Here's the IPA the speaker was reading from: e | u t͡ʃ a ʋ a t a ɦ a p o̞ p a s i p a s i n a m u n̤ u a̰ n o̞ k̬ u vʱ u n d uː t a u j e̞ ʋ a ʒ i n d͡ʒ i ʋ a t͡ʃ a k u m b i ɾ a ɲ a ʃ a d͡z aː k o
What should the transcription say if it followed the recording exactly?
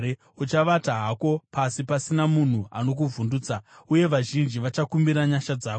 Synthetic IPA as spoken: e | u t͡ʃ a ʋ a t a ɦ a k o̞ p a s i p a s i n a m u n̤ u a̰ n o̞ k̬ u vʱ u n d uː t͡s a u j e̞ ʋ a ʒ i n d͡ʒ i ʋ a t͡ʃ a k u m b i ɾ a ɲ a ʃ a d͡z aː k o